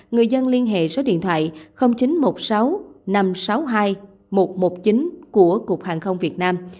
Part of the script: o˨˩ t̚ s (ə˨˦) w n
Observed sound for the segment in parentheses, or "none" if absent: a˨˦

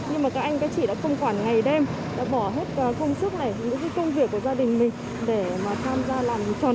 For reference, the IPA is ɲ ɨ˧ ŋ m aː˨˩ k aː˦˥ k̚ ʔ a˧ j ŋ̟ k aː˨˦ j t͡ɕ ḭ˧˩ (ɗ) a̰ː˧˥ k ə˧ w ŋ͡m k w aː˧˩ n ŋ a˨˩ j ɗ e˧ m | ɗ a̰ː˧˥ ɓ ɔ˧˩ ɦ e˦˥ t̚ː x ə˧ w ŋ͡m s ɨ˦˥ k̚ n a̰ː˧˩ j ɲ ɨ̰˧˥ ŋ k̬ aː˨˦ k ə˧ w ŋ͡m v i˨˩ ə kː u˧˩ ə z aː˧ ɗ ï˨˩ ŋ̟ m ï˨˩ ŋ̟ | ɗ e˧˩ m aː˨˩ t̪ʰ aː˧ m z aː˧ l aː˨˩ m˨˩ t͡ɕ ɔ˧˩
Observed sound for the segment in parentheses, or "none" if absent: ɗ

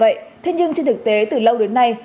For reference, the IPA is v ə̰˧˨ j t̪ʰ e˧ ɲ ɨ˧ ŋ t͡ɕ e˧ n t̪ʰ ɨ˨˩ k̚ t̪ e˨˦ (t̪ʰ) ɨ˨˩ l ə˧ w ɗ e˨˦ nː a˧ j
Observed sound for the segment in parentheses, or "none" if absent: t̪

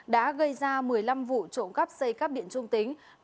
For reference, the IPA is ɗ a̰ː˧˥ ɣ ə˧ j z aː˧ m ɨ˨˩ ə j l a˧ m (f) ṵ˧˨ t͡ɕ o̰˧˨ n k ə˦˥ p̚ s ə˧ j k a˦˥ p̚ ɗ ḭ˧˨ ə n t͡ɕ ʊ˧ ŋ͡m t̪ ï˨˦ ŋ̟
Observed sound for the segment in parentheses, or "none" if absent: v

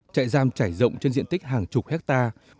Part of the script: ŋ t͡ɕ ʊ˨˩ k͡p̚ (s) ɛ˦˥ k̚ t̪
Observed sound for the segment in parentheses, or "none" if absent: h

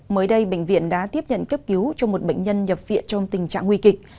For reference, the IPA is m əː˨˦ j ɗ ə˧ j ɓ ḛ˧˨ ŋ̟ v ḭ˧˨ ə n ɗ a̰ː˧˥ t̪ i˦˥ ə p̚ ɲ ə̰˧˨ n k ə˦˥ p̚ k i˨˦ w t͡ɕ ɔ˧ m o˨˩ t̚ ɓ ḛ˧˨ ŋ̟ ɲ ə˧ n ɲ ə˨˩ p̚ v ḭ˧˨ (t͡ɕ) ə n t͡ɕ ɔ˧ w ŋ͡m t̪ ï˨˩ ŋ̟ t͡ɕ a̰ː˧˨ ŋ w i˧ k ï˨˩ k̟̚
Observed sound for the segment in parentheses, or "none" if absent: none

